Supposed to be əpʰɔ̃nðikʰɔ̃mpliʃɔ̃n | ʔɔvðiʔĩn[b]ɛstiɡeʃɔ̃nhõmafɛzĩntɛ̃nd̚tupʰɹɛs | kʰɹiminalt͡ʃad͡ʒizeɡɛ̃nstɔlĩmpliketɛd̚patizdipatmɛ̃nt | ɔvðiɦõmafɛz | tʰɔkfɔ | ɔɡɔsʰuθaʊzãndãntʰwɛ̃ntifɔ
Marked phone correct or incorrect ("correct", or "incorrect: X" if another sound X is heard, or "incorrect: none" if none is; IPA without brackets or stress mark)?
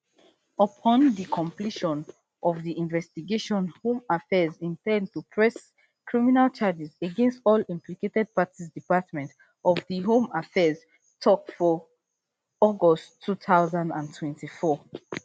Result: incorrect: v